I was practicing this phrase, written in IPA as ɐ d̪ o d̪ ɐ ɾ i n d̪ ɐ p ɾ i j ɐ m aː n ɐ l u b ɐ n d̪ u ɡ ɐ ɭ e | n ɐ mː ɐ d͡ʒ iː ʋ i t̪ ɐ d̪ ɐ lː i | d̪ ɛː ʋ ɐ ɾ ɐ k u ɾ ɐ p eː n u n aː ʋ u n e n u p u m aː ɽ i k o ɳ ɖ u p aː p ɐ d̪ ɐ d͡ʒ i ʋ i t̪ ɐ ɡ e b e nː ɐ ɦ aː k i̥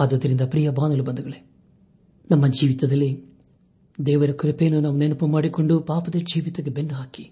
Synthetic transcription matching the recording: ɐ d̪ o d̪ ɐ ɾ i n d̪ ɐ p ɾ i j ɐ b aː n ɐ l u b ɐ n d̪ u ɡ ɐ ɭ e | n ɐ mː ɐ d͡ʒ iː ʋ i t̪ ɐ d̪ ɐ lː i | d̪ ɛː ʋ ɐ ɾ ɐ k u ɾ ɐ p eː n u n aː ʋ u n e n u p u m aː ɽ i k o ɳ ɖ u p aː p ɐ d̪ ɐ d͡ʒ iː ʋ i t̪ ɐ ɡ e b e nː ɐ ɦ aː k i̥